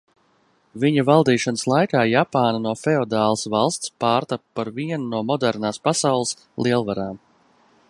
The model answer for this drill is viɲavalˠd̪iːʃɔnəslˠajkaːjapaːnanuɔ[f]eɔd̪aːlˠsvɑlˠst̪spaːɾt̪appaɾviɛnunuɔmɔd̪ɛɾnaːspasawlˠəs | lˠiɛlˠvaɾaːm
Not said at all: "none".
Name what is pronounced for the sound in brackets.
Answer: f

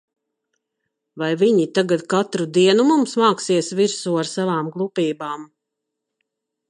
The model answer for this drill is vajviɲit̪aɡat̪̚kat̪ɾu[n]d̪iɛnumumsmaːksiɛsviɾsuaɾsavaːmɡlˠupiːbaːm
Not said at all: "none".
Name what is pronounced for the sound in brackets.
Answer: none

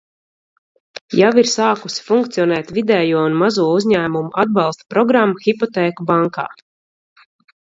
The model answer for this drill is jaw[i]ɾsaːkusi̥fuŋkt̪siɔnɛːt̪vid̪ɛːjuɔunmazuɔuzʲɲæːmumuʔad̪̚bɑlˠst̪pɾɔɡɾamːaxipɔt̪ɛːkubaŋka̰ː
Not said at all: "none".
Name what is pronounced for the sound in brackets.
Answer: i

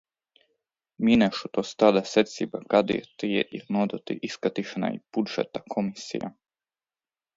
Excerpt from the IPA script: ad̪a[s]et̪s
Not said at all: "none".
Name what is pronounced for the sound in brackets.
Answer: s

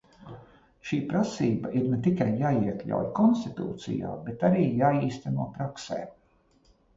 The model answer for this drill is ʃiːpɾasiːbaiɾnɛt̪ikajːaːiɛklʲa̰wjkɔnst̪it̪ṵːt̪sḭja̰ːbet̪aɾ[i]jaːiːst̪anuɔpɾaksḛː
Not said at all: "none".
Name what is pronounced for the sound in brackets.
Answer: iː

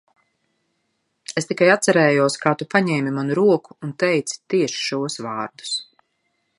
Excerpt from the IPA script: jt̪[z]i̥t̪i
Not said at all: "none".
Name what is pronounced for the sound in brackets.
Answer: s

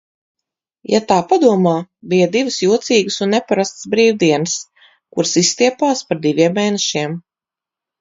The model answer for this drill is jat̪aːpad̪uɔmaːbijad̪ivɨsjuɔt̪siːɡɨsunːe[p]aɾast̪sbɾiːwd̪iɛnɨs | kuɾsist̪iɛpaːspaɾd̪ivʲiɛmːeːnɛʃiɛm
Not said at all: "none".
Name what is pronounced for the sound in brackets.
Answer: p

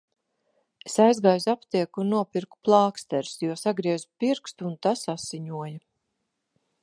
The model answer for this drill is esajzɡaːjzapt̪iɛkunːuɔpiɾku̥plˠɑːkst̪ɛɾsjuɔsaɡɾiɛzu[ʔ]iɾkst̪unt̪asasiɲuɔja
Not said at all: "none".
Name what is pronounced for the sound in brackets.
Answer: p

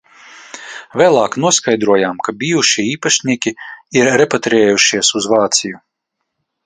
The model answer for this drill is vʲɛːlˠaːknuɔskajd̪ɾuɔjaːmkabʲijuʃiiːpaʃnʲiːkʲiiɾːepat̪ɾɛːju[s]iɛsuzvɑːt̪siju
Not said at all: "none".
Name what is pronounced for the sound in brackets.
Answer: ʃ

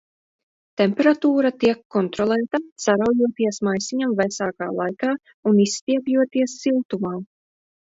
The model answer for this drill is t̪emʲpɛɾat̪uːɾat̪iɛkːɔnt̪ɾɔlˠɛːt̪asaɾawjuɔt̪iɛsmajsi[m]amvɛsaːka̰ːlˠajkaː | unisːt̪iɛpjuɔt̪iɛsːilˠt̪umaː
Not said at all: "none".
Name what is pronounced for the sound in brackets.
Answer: ɲ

